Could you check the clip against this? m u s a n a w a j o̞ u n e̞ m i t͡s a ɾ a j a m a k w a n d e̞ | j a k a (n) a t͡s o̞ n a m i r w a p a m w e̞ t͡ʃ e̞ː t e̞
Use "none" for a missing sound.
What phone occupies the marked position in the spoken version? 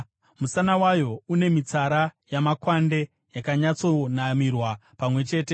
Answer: ɲ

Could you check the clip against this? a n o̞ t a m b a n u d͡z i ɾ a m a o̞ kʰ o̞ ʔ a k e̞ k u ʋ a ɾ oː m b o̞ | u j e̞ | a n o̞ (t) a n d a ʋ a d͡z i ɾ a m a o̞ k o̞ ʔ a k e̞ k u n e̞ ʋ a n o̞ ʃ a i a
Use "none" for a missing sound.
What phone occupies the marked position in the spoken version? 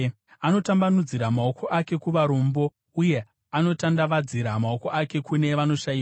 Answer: t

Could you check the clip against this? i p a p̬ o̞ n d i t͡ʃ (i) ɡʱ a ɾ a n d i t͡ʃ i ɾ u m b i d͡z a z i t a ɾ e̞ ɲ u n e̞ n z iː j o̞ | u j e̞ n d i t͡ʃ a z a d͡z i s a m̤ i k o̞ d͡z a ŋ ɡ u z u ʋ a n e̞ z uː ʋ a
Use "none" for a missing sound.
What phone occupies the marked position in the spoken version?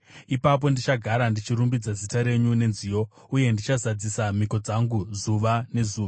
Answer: a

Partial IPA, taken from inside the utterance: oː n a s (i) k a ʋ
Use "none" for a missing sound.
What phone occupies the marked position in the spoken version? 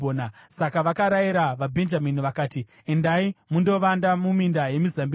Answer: a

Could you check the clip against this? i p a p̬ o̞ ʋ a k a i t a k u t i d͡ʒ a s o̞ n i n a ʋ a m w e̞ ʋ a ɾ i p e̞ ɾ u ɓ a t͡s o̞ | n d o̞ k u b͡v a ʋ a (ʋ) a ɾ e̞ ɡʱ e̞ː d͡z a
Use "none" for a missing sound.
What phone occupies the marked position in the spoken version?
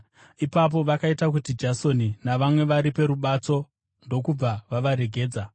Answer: ʋ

